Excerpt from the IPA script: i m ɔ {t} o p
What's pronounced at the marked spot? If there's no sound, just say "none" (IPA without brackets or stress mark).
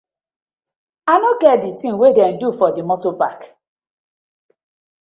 t